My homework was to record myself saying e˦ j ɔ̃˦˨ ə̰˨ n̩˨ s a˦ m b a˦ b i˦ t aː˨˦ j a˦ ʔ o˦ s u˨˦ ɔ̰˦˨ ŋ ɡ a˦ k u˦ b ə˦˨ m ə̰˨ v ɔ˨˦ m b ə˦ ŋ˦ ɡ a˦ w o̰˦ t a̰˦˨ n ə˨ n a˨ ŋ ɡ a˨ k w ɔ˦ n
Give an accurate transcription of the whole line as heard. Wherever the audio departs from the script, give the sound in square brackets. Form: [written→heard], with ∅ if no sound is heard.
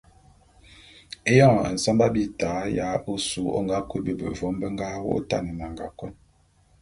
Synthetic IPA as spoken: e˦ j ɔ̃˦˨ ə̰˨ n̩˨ s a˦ m b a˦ b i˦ t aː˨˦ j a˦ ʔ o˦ s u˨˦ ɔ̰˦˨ ŋ ɡ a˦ k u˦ b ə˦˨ [m→b] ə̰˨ v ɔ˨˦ m b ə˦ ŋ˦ ɡ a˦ w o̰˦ t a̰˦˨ n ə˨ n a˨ ŋ ɡ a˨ k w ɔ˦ n